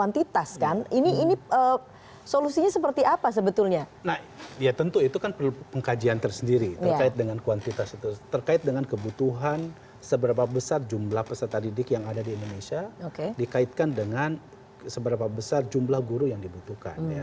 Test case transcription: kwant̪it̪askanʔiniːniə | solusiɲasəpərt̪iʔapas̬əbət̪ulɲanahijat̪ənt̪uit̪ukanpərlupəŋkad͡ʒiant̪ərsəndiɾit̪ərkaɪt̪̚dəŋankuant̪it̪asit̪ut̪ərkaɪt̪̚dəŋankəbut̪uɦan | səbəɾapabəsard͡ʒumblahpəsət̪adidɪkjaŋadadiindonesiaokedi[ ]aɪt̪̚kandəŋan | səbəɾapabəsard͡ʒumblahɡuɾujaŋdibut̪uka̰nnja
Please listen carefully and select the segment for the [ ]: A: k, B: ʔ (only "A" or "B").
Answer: A